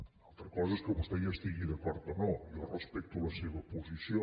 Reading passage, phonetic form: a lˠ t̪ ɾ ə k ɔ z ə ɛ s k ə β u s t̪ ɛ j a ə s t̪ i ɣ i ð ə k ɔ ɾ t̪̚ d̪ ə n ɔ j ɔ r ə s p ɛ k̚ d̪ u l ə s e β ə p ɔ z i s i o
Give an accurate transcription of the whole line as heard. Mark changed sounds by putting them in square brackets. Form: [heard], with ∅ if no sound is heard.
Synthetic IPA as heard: a lˠ t̪ ɾ ə k ɔ z ə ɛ s k ə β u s t̪ ɛ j a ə s t̪ i ɣ i ð ə k ɔ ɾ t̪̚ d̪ ə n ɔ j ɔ r ə s p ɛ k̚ [t̪] u l ə s e β ə p [u] z i s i o